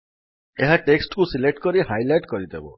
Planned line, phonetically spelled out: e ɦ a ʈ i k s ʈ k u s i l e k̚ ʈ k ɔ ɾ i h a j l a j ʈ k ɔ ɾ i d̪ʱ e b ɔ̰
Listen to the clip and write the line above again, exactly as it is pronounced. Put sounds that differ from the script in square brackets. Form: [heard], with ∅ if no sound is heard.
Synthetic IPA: e ɦ a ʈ [e] k s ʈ k u s i l e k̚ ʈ k ɔ ɾ i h a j l a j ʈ k ɔ ɾ i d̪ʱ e b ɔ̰